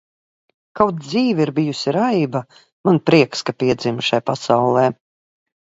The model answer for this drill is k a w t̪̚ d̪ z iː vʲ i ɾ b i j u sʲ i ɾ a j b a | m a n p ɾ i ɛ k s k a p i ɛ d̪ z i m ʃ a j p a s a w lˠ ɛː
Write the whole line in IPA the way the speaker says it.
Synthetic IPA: k a w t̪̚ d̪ z iː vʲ i ɾ b i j u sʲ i ɾ a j b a | m a n p ɾ i ɛ k s k a p i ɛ d̪ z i m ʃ a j p a s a w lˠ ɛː